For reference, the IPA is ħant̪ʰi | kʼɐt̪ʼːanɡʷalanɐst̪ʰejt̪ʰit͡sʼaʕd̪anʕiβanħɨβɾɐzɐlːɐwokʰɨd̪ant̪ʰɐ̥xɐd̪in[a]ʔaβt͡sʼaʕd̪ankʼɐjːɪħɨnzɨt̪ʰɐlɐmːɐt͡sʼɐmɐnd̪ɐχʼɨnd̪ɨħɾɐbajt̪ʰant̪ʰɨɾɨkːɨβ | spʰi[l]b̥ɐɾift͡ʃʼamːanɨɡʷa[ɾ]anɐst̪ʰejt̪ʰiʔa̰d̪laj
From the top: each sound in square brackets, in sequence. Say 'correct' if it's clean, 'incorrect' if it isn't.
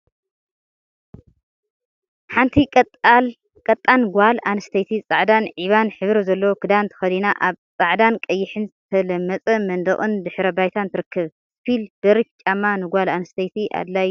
correct, correct, incorrect

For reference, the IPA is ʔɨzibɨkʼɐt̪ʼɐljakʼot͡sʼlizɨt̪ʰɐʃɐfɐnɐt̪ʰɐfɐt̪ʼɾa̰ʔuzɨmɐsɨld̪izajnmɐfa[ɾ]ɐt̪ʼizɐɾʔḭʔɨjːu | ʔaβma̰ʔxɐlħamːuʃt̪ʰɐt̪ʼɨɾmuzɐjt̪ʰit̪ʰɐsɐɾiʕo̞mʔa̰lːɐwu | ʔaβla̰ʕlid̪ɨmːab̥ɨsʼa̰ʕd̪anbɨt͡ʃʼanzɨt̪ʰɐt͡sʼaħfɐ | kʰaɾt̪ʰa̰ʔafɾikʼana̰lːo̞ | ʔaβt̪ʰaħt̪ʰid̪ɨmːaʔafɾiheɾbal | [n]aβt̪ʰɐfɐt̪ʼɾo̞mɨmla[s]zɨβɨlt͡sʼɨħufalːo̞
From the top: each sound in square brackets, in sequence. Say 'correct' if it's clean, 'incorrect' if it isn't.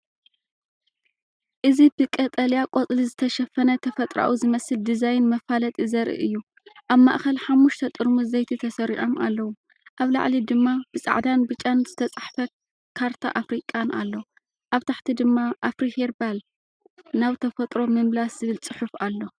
incorrect, correct, correct

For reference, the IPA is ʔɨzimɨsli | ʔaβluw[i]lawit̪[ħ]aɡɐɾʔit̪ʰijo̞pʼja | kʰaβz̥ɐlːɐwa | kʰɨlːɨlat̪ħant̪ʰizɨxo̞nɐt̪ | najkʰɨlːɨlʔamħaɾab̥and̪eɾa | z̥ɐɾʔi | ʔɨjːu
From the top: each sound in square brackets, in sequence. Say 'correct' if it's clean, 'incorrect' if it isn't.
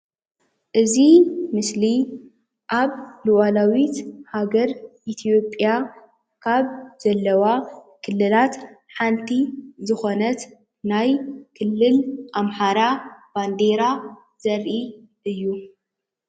incorrect, incorrect

